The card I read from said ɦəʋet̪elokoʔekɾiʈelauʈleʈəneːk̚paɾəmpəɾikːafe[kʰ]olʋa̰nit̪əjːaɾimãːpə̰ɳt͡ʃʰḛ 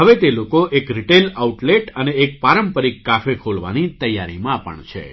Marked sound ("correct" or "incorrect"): correct